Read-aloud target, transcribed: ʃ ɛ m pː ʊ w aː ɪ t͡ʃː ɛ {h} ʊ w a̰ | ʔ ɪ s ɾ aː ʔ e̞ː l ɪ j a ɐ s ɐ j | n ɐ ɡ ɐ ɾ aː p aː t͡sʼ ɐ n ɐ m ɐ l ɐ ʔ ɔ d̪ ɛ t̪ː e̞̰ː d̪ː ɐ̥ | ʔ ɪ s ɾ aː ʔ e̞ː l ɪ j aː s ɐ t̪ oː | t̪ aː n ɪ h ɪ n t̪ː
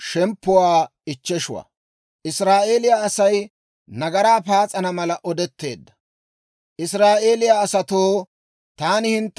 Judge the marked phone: incorrect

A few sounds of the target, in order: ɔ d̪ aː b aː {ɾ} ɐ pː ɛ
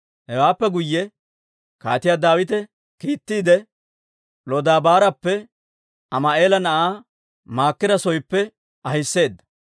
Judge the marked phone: correct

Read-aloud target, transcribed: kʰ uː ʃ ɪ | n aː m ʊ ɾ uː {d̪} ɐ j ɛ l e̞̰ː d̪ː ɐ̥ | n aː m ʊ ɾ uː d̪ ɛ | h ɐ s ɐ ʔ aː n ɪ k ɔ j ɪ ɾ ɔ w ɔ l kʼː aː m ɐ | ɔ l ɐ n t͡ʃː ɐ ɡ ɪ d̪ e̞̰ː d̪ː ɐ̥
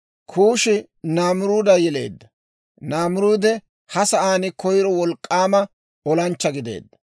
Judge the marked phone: correct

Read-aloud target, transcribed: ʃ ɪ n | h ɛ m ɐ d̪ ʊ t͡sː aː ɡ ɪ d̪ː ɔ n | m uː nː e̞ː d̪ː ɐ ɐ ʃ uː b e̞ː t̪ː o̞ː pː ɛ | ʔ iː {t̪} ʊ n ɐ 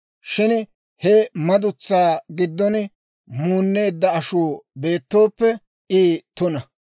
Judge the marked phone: correct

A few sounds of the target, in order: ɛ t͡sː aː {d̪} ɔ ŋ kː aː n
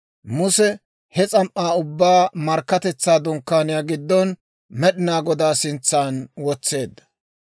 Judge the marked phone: correct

